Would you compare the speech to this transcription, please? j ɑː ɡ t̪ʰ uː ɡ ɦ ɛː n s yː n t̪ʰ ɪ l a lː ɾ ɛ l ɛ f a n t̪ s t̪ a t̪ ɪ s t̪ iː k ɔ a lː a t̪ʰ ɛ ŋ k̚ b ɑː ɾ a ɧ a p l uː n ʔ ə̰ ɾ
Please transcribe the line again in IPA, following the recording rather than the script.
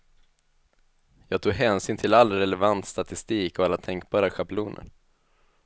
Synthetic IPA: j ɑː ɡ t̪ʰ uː ɡ ɦ ɛː n s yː n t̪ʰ ɪ l a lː ɾ ɛ l ɛ v a n t̪ s t̪ a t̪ ɪ s t̪ iː k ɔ a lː a t̪ʰ ɛ ŋ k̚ b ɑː ɾ a ɧ a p l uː n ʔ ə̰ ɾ